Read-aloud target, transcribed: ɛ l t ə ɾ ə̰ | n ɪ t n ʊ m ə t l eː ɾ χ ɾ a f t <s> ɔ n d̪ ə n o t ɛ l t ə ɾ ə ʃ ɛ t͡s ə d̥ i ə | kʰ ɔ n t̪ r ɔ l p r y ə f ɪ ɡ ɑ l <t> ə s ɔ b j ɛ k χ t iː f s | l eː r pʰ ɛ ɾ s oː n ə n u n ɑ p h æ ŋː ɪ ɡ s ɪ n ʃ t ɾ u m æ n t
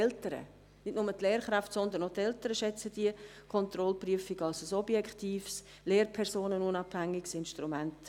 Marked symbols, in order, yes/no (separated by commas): yes, no